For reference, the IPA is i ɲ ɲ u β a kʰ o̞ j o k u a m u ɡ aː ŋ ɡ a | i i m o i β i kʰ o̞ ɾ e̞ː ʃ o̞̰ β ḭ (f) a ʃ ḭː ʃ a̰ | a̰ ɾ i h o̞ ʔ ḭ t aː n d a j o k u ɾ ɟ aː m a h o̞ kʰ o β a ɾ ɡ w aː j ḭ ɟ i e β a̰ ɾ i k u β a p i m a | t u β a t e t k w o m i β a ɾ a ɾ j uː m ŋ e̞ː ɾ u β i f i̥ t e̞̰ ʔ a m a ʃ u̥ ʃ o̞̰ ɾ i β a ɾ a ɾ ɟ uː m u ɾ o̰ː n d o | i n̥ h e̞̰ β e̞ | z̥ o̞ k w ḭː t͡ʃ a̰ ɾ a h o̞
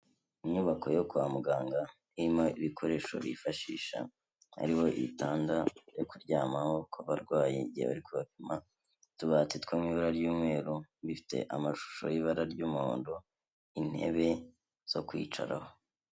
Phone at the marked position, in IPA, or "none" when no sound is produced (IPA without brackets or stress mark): f